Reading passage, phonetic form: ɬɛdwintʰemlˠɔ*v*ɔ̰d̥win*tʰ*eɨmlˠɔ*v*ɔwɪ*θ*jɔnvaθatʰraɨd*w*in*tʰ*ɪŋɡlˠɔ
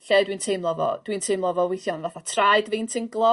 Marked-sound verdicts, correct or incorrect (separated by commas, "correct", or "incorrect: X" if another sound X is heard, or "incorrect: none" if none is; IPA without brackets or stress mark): correct, correct, correct, correct, incorrect: v, correct